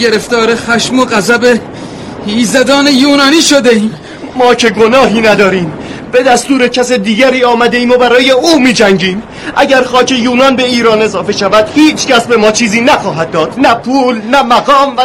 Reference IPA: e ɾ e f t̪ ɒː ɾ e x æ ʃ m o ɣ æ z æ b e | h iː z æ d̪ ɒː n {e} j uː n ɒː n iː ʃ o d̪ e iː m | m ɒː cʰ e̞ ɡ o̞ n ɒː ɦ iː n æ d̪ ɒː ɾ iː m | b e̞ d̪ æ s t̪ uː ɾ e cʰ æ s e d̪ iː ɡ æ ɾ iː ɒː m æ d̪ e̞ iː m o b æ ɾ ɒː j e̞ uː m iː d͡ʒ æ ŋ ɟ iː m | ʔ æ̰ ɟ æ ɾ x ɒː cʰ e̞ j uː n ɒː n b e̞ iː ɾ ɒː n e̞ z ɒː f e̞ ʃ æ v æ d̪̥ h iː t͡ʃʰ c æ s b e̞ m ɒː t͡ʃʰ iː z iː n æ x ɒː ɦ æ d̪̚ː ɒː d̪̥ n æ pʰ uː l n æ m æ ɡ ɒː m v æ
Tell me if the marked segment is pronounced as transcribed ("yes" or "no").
yes